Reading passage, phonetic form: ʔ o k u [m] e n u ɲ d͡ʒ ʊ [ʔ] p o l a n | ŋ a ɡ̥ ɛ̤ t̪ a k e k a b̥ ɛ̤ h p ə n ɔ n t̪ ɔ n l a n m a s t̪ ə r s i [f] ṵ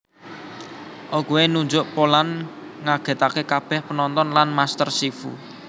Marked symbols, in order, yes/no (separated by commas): no, yes, yes